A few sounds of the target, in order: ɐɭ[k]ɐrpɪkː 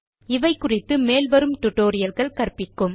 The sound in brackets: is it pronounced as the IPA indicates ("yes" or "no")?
yes